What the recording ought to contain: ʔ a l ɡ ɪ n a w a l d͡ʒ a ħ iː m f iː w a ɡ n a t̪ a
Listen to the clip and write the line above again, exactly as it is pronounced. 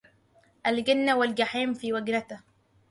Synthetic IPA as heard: ʔ a l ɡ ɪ nː a w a l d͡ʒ a ħ iː m f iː w a ɡ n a t̪ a